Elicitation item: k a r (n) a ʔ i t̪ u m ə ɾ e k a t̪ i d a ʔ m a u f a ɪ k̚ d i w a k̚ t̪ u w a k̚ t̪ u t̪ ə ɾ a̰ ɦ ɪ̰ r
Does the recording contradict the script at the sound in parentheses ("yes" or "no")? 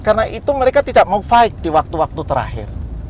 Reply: no